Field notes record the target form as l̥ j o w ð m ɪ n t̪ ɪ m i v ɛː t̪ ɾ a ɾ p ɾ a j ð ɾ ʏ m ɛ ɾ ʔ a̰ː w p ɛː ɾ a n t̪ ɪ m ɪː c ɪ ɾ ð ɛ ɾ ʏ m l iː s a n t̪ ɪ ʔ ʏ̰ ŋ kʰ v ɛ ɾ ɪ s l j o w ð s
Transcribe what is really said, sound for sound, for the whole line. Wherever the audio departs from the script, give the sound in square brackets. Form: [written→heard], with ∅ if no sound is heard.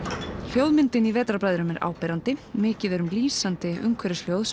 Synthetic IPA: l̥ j o w ð m ɪ n t̪ ɪ [m→n] i v ɛː t̪ ɾ a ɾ p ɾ a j ð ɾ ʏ m ɛ ɾ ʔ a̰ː w p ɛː ɾ a n t̪ ɪ m ɪː c ɪ [ɾ→∅] ð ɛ ɾ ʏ m l iː s a n t̪ ɪ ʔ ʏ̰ ŋ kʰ v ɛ ɾ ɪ s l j o w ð s